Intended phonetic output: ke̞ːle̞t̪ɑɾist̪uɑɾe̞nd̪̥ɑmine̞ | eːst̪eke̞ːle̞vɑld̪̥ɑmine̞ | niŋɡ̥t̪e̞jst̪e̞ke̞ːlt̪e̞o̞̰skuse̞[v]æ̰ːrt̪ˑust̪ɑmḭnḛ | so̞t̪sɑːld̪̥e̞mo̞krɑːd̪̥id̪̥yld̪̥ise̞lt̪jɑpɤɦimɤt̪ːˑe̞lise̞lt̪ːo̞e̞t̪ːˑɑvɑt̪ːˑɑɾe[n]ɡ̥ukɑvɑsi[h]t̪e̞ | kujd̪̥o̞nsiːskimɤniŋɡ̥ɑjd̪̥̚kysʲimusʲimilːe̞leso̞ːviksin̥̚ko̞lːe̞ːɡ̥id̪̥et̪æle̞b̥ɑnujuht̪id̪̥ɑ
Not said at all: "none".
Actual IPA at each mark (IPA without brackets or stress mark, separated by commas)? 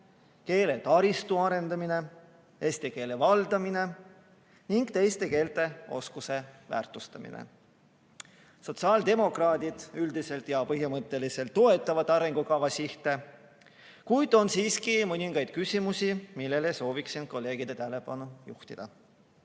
v, ŋ, h